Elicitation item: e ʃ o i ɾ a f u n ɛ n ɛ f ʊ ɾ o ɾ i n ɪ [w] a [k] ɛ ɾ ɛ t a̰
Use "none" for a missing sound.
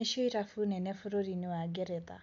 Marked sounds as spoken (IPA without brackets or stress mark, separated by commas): w, ɡ